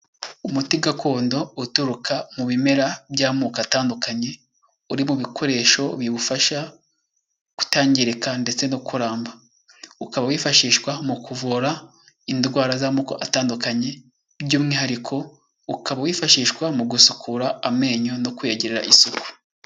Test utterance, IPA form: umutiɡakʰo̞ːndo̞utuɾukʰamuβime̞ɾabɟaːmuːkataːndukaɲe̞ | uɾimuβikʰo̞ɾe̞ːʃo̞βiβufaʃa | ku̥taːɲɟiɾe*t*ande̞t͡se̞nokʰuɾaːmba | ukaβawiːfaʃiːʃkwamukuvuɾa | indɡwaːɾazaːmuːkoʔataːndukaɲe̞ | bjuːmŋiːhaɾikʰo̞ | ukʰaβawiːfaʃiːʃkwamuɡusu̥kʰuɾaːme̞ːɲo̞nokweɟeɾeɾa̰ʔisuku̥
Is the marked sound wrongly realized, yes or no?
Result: yes